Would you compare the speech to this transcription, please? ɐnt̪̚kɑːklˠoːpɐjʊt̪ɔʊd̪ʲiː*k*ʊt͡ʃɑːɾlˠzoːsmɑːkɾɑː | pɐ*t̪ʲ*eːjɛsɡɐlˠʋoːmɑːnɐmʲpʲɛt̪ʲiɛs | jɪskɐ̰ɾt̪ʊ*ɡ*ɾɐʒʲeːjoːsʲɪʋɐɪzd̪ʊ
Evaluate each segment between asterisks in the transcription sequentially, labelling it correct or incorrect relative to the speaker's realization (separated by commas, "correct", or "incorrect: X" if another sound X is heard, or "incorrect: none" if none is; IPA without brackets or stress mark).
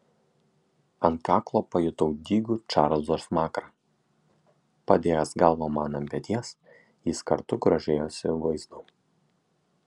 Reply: incorrect: ɡ, incorrect: d̪ʲ, correct